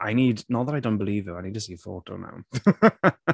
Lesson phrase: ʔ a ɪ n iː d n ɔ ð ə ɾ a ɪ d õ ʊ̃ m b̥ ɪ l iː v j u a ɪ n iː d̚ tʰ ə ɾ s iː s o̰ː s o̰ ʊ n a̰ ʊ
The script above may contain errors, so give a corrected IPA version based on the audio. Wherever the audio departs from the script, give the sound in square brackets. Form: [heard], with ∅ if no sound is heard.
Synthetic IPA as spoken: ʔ a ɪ n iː d n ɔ ð ə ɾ a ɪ d õ ʊ̃ [n] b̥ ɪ l iː v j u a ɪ n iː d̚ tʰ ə [∅] s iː [f] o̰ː [t] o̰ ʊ n a̰ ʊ